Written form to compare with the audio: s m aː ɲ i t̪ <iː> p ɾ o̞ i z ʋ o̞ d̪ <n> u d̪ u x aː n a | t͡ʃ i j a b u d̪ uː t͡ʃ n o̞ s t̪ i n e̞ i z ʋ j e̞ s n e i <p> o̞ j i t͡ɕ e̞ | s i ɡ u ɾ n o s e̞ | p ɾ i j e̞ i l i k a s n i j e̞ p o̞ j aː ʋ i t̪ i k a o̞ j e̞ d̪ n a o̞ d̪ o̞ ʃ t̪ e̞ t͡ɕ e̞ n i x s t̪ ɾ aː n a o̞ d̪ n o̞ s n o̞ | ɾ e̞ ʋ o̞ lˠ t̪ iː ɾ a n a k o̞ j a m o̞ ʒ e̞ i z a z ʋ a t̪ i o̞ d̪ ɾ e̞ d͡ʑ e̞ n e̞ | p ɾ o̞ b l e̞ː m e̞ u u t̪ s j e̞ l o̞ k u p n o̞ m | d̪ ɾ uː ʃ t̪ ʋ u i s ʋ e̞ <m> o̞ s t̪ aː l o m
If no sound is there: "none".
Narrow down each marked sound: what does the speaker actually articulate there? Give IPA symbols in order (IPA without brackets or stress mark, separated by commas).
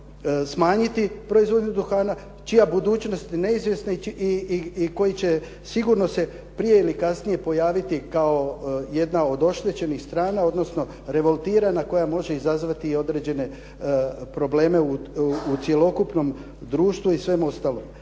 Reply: i, ɲ, k, m